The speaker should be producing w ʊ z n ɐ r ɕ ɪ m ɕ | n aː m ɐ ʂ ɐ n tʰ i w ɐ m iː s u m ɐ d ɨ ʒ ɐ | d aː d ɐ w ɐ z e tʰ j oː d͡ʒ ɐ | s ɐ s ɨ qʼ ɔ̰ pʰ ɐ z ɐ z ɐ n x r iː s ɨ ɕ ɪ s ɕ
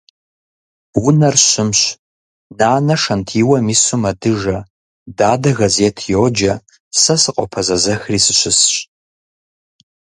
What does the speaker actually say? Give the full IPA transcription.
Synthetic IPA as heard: w ʊ n ɐ r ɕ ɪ m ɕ | n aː n ɐ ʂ ɐ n tʰ i w ɐ m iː s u m ɐ d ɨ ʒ ɐ | d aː d ɐ ɣ ɐ z e tʰ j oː d͡ʒ ɐ | s ɐ s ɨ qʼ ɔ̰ pʰ ɐ z ɐ z ɐ x r iː s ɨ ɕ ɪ s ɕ

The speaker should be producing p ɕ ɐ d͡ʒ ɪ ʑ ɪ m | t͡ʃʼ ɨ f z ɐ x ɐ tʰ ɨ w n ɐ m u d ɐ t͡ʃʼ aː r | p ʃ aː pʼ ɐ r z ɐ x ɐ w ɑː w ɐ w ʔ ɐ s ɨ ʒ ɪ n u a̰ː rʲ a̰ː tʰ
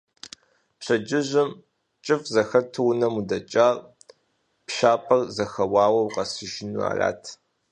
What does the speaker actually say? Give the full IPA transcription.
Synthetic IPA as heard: p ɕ ɐ d͡ʒ ɪ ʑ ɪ m | t͡ʃʼ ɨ f z ɐ x ɐ tʰ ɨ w n ɐ m u d ɐ t͡ʃʼ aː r | p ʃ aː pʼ ɐ r z ɐ x ɐ w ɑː w ɐ w q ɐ s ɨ ʒ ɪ n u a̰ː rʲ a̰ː tʰ

